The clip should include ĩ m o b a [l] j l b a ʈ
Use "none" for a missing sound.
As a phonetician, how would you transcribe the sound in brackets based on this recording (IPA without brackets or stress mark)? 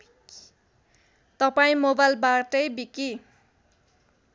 none